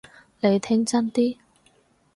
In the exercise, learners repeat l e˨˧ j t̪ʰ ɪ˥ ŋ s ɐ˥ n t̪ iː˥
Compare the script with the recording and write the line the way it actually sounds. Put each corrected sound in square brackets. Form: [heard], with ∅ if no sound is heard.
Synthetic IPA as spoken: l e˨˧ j t̪ʰ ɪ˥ ŋ [t͡s] ɐ˥ n t̪ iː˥